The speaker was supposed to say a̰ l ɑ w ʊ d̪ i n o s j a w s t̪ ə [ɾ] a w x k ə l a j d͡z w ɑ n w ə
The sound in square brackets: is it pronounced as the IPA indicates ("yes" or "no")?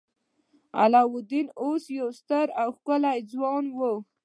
yes